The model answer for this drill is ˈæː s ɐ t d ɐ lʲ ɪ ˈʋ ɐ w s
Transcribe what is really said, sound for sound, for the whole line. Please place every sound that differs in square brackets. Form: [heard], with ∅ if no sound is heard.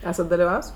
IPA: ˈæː s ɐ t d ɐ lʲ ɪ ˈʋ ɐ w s